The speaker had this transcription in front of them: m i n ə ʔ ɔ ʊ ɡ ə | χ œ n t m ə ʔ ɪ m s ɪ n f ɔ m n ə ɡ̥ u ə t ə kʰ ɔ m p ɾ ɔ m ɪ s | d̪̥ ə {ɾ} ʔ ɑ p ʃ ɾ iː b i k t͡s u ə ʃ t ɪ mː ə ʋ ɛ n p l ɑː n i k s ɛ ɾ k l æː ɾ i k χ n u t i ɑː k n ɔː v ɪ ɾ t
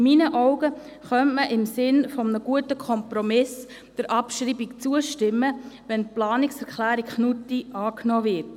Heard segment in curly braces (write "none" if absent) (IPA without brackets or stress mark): ɾ